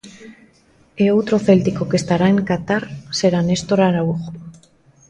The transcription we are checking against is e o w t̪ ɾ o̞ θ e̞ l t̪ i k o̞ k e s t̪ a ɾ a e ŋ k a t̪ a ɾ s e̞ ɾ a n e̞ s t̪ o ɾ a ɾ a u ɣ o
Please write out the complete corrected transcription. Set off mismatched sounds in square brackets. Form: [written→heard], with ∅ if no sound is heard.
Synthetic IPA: e o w t̪ ɾ o̞ θ e̞ l t̪ i k o̞ k e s t̪ a ɾ a e ŋ k a t̪ a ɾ s e̞ ɾ a n e̞ s t̪ o ɾ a ɾ a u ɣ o